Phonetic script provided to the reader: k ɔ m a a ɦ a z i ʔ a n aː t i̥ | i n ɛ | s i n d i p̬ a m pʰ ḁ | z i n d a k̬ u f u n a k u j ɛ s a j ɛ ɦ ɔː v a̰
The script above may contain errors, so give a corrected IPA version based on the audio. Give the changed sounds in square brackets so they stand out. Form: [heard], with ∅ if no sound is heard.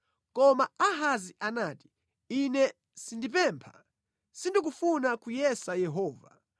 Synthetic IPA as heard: k ɔ m a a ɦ a z i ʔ a n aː t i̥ | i n ɛ | s i n d i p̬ [ɛ] m pʰ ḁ | [s] i n d [i] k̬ u f u n a k u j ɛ s a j ɛ ɦ ɔː v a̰